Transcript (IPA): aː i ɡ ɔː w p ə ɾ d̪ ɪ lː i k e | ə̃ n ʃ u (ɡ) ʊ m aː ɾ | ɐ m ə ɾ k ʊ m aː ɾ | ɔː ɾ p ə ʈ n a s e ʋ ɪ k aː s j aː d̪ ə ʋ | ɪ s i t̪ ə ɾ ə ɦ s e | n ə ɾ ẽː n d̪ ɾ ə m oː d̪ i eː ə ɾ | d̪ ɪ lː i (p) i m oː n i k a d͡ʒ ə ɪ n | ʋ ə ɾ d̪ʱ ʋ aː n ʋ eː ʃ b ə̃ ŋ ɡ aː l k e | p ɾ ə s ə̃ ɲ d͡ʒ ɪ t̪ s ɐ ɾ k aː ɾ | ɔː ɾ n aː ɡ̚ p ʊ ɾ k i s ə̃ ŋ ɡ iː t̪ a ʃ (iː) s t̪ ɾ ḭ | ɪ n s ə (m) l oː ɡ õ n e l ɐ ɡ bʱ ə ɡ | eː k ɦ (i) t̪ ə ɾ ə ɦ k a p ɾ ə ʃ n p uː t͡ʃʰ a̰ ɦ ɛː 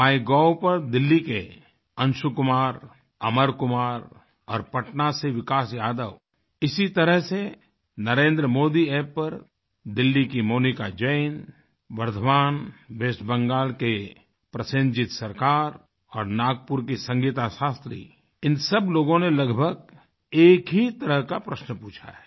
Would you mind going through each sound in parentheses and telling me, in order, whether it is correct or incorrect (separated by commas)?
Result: incorrect, incorrect, incorrect, incorrect, correct